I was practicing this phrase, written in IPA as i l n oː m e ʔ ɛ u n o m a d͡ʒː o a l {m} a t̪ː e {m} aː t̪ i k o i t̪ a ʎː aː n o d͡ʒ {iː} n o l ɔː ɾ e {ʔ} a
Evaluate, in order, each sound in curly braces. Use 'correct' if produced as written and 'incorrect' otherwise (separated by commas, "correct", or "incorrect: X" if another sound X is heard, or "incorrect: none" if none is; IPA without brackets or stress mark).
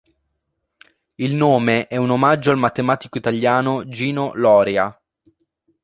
correct, correct, correct, incorrect: none